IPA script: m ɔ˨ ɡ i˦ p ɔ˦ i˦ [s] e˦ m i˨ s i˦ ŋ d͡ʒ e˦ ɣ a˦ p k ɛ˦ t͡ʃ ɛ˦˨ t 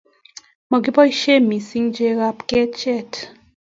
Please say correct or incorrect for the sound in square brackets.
incorrect